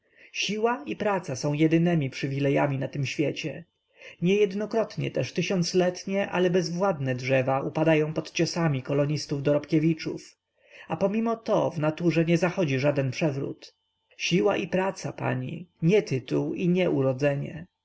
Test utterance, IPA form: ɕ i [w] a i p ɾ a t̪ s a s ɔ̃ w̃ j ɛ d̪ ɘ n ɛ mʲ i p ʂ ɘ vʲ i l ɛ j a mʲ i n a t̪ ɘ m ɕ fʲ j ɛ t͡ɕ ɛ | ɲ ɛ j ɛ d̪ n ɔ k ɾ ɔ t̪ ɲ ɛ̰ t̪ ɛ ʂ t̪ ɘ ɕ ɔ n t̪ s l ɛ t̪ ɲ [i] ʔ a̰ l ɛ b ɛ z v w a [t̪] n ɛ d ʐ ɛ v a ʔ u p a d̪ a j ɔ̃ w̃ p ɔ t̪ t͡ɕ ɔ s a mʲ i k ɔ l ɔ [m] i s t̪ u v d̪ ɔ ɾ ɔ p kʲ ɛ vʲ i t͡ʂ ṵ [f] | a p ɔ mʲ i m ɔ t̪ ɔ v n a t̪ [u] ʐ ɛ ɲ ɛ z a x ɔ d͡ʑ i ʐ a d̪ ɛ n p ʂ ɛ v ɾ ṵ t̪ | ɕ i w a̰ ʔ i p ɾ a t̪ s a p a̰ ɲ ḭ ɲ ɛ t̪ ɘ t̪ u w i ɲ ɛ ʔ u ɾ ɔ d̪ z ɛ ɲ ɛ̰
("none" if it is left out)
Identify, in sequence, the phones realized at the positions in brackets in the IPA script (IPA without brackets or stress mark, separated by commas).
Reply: w, ɛ, d̪, ɲ, f, u